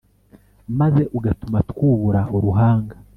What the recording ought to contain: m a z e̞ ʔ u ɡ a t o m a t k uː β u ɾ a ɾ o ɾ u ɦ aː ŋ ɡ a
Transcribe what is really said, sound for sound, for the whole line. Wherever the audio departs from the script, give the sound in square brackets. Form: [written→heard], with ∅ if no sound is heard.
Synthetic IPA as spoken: m a z e̞ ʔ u ɡ a t [o→u] m a t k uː β u ɾ a [ɾ→∅] o ɾ u ɦ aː ŋ ɡ a